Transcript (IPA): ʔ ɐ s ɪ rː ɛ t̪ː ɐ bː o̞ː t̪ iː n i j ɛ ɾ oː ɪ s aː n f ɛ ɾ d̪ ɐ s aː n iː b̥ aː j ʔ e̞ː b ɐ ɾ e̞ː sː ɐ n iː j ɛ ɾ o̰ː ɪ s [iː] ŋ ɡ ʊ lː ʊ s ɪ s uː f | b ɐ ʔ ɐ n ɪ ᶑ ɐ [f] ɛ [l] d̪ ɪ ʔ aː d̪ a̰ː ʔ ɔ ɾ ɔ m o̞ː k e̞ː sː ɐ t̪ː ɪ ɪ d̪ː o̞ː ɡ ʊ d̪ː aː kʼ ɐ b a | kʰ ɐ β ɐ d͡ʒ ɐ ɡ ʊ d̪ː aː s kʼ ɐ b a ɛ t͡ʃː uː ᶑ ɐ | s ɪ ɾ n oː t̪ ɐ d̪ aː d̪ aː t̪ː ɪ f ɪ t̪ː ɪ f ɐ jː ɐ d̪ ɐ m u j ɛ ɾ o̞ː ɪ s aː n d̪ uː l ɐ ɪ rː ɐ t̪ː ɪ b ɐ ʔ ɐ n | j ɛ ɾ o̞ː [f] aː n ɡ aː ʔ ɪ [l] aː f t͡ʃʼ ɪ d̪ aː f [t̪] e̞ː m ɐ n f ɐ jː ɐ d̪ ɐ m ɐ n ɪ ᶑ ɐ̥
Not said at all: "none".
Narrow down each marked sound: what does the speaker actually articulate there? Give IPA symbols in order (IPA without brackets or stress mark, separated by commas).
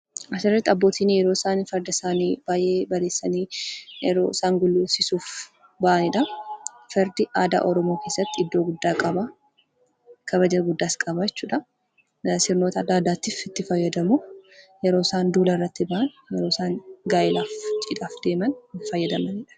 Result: aː, f, ɾ, s, l, d̪